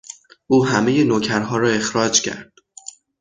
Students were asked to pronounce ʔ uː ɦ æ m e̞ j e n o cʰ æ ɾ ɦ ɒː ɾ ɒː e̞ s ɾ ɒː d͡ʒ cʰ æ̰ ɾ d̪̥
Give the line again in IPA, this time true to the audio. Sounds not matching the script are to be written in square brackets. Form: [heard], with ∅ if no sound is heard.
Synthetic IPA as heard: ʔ uː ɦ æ m e̞ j e n o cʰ æ ɾ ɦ ɒː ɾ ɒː e̞ [x] ɾ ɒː d͡ʒ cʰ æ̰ ɾ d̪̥

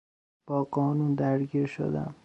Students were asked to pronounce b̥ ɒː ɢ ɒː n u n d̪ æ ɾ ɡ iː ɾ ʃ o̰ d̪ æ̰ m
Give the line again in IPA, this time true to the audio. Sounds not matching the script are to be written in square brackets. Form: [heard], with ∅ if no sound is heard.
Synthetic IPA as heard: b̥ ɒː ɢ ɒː n u n d̪ æ ɾ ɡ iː ɾ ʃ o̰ d̪ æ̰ m

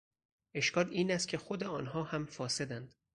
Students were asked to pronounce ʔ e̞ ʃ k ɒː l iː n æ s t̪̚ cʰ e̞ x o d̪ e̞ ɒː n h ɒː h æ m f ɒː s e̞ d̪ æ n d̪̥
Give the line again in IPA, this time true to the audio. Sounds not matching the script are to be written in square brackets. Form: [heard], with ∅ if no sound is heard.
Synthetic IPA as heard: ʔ e̞ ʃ k ɒː l iː n æ s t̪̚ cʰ e̞ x o d̪ e̞ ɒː n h ɒː h æ m f ɒː s e̞ d̪ æ n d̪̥

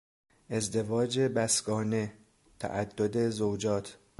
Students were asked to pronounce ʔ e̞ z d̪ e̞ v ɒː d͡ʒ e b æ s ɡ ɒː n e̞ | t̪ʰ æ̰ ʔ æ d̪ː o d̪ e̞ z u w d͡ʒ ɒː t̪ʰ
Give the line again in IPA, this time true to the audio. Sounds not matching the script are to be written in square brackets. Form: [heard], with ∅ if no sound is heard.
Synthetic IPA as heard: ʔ e̞ z d̪ e̞ v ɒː d͡ʒ e b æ s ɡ ɒː n e̞ | t̪ʰ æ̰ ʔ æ d̪ː o d̪ e̞ z [o] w d͡ʒ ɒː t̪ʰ

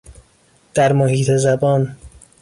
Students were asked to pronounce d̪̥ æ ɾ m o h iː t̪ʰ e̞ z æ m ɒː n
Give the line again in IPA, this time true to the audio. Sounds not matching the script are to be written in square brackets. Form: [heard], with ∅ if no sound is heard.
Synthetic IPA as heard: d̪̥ æ ɾ m o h iː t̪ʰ e̞ z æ [b] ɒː n

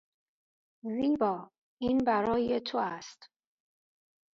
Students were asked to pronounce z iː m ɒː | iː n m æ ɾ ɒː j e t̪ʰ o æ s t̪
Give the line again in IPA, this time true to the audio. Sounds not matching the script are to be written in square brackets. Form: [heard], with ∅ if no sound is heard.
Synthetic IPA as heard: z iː [b] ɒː | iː n [b] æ ɾ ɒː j e t̪ʰ o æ s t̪

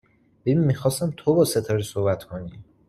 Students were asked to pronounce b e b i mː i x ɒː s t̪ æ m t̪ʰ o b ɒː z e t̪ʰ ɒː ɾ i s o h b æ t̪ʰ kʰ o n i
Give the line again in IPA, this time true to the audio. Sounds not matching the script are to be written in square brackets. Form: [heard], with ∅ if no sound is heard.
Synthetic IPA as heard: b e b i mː i x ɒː s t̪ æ m t̪ʰ o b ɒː [s] e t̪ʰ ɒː ɾ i s o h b æ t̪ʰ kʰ o n i

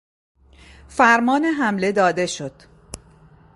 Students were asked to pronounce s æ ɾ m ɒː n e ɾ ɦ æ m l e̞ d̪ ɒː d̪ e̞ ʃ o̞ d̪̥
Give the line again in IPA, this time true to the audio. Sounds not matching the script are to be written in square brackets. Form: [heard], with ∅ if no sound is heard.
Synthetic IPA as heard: [f] æ ɾ m ɒː n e [∅] ɦ æ m l e̞ d̪ ɒː d̪ e̞ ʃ o̞ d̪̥

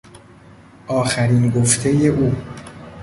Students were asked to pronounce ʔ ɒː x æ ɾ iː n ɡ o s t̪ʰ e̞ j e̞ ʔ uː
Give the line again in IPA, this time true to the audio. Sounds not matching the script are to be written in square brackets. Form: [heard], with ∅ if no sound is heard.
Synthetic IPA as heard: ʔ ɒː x æ ɾ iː n ɡ o [f] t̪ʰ e̞ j e̞ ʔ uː

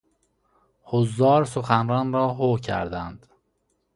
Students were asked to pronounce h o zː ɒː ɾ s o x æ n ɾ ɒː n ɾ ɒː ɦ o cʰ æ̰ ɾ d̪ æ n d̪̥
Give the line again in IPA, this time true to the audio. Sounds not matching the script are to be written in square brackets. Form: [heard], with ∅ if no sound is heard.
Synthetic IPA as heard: h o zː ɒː ɾ s o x æ n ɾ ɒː n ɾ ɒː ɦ o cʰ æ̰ ɾ d̪ æ n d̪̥

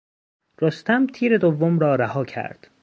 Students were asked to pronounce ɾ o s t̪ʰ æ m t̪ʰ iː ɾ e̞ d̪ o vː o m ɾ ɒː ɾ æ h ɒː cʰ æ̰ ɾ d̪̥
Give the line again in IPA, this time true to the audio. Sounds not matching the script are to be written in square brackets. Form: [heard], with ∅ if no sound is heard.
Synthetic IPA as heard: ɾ o s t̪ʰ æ m t̪ʰ iː ɾ e̞ d̪ o vː o m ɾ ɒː ɾ æ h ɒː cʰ æ̰ ɾ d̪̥

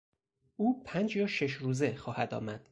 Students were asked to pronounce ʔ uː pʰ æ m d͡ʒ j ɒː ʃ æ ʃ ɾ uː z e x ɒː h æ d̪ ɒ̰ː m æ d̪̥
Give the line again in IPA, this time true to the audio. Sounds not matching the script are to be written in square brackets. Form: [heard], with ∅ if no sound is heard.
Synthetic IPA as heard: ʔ uː pʰ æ [n] d͡ʒ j ɒː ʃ [e] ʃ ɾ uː z e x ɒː h æ d̪ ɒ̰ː m æ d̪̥

